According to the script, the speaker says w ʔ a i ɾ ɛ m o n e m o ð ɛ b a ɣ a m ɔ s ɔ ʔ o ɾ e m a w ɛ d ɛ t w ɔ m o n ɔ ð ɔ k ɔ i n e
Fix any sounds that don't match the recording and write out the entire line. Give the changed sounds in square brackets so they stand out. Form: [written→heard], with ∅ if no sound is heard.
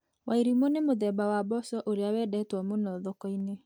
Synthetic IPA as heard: w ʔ a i ɾ [ɛ→i] m o n e m o ð ɛ b a [ɣ→w] a [m→b] ɔ s ɔ ʔ o ɾ e [m→∅] a w ɛ d ɛ t w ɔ m o n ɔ ð ɔ k ɔ i n e